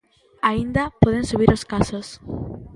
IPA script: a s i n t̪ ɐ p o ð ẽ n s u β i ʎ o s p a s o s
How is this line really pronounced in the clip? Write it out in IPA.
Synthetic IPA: a i n d̪ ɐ p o ð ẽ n s u β i ɾ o s k a s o s